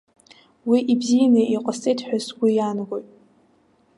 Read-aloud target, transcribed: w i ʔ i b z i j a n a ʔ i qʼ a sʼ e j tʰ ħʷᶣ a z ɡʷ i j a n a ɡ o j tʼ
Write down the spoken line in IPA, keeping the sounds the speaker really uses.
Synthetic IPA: w i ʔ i b z i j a n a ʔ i qʼ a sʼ e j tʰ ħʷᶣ a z ɡʷ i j a n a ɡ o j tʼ